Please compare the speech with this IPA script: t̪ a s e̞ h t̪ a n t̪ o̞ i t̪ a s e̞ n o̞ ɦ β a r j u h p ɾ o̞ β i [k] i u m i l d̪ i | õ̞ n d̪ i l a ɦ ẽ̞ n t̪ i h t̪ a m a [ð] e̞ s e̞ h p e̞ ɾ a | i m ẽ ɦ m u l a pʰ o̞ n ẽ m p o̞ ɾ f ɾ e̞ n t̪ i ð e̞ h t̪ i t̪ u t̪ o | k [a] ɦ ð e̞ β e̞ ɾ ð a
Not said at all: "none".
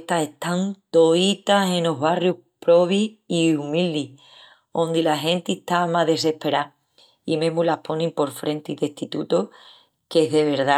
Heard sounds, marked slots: none, ð, e

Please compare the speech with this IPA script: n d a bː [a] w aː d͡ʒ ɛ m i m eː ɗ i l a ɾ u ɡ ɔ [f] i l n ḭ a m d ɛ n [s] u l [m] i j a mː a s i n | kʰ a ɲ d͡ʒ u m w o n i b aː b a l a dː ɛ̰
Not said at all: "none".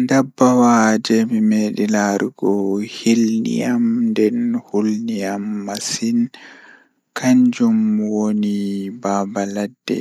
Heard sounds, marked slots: a, h, h, n

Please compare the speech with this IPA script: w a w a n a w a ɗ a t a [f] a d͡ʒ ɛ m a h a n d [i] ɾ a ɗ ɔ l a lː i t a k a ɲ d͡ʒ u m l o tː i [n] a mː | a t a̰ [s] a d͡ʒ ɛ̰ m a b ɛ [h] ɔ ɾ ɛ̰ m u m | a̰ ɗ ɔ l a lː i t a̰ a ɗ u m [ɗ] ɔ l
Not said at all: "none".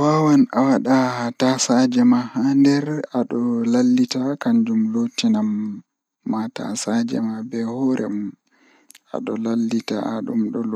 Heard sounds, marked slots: s, ɛ, n, s, h, ɗ

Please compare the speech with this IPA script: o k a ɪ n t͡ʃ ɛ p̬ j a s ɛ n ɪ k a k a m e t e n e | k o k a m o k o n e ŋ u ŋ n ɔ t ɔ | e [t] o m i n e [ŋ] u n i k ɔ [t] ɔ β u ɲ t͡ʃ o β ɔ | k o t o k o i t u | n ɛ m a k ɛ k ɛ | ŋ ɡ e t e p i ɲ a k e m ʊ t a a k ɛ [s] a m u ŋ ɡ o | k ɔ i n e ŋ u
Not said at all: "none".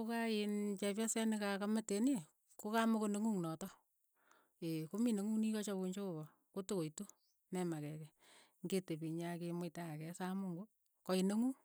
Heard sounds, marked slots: k, ŋ, t͡ʃ, s

